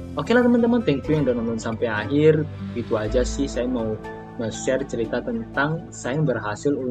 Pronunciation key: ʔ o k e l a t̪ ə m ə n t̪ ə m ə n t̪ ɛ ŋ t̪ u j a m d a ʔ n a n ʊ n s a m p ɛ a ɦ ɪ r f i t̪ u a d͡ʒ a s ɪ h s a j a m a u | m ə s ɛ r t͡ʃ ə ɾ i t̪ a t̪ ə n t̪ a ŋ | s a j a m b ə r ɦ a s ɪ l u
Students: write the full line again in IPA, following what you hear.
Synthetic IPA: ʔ o k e l a t̪ ə m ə n t̪ ə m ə n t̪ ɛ ŋ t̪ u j a ŋ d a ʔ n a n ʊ n s a m p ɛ a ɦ ɪ r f i t̪ u a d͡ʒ a s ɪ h s a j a m a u | m ə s ɛ r t͡ʃ ə ɾ i t̪ a t̪ ə n t̪ a ŋ | s a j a m b ə r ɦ a s ɪ l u